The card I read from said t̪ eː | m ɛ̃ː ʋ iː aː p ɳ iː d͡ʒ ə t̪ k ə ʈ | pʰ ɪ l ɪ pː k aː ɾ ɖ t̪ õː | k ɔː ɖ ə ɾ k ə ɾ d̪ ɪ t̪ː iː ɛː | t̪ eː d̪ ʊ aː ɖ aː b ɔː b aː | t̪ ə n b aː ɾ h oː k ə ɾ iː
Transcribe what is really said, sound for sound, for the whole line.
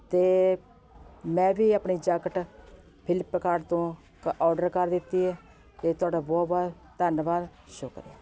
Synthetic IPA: t̪ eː | m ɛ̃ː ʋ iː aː p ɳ iː d͡ʒ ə k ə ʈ | pʰ ɪ l ɪ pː k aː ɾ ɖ t̪ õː | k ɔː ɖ ə ɾ k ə ɾ d̪ ɪ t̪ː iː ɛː | t̪ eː t̪ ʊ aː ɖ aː b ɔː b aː | t̪ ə n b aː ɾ ʃ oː k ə ɾ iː